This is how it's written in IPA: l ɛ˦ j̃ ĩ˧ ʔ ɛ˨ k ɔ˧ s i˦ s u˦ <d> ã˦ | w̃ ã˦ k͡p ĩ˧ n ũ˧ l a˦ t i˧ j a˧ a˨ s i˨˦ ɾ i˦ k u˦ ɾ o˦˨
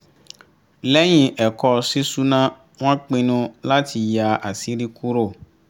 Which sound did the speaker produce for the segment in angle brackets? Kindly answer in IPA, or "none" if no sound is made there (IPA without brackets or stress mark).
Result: n